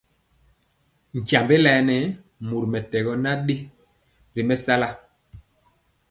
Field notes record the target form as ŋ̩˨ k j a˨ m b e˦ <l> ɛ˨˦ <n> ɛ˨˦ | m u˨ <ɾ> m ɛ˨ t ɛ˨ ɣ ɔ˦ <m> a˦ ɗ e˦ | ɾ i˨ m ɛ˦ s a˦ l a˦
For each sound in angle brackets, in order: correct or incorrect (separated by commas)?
correct, correct, correct, incorrect